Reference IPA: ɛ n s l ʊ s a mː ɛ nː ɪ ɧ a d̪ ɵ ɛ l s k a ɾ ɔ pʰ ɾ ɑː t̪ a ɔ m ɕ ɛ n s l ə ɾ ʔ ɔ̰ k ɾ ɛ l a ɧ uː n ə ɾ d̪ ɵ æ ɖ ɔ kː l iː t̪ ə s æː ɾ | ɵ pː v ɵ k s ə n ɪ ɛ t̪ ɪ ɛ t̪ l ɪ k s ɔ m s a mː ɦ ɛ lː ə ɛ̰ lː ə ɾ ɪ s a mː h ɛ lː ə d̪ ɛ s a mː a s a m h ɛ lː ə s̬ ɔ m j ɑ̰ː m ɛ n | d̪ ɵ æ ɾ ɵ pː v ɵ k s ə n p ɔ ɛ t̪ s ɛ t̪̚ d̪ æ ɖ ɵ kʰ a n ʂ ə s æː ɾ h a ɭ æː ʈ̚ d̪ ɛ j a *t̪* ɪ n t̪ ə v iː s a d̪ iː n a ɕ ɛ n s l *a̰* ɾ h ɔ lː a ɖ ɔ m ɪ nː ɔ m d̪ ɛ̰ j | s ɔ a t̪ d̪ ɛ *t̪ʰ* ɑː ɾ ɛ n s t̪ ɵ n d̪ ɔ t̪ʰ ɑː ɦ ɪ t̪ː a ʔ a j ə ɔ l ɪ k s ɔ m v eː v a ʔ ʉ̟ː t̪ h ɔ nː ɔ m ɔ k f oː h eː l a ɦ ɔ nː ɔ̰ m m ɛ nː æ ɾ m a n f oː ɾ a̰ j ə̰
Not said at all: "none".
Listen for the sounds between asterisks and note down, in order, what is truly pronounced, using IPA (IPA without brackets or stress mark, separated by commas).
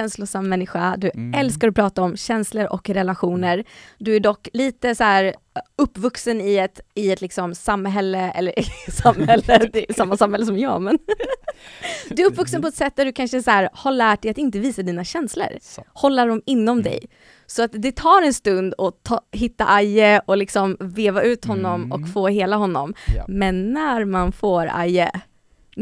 t̪, ə̰, t̪ʰ